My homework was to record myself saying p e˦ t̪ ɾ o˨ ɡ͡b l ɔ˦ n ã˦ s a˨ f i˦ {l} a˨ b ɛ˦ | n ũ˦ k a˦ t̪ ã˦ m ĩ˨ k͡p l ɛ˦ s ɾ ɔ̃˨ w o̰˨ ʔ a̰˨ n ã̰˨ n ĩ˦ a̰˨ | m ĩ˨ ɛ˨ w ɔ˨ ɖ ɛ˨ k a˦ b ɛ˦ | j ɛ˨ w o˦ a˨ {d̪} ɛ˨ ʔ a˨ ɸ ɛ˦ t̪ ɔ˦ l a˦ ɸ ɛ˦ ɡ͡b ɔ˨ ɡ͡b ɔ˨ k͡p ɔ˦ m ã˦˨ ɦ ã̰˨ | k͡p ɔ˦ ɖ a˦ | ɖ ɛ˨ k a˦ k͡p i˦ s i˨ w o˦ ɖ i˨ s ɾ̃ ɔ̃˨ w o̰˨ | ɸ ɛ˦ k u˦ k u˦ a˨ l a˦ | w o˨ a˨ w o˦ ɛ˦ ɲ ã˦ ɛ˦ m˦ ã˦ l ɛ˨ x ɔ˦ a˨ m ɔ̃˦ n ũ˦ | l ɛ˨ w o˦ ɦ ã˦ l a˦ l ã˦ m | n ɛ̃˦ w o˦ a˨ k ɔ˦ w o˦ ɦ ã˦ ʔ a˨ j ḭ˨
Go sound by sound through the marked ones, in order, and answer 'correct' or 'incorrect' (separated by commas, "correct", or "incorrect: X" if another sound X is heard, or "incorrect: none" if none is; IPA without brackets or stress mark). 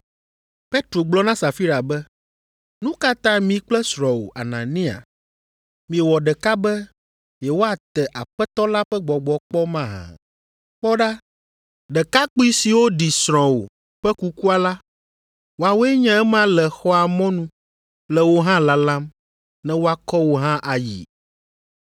incorrect: ɾ, incorrect: t̪